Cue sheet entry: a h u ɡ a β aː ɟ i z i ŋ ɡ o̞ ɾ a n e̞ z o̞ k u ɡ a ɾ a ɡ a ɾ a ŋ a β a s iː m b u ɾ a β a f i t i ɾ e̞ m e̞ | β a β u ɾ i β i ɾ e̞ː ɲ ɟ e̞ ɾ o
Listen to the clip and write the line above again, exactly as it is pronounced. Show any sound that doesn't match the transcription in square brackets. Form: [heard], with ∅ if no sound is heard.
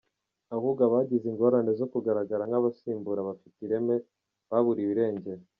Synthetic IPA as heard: a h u ɡ a β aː ɟ i z i ŋ ɡ o̞ ɾ a n e̞ z o̞ k u ɡ a ɾ a ɡ a ɾ a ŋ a β a s iː m b u ɾ a β a f i t i ɾ e̞ m e̞ | β a β u ɾ i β i ɾ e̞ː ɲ ɟ e̞ ɾ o